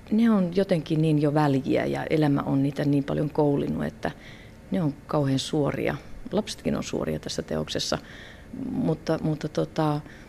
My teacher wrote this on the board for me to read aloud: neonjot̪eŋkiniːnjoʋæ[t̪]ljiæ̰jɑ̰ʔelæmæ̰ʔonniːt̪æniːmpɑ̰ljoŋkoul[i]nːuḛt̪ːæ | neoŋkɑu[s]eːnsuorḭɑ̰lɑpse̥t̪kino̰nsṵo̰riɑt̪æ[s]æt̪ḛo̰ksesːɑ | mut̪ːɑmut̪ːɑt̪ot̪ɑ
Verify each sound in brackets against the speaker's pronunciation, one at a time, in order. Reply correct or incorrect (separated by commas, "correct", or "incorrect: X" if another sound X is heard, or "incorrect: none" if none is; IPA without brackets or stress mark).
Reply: incorrect: none, correct, incorrect: h, incorrect: sː